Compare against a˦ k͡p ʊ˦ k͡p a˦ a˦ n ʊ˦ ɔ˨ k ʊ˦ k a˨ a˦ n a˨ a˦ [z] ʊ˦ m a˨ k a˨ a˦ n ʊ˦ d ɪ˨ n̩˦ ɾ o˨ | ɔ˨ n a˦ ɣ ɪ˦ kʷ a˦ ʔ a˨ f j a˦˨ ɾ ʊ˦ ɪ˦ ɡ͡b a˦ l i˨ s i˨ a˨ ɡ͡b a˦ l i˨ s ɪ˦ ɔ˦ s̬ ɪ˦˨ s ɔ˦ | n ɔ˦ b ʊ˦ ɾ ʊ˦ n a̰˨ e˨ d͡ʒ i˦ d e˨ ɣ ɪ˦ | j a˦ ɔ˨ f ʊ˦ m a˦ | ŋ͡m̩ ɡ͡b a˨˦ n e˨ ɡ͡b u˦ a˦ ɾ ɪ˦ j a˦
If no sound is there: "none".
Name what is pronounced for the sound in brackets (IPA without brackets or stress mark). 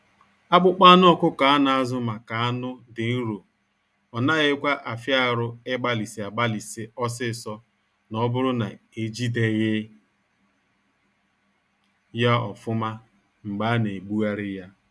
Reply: z